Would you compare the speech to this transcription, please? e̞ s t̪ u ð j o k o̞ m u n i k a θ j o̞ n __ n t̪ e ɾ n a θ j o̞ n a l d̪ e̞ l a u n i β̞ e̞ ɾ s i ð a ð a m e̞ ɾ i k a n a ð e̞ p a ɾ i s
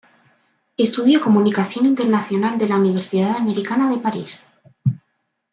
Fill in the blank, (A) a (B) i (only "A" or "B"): B